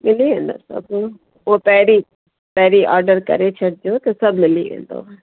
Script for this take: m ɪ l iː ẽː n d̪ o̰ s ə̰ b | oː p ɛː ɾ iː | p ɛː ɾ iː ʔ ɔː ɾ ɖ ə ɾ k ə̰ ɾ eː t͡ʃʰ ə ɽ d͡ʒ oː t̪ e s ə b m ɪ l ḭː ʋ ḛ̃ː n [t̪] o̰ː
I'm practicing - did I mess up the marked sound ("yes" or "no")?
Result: yes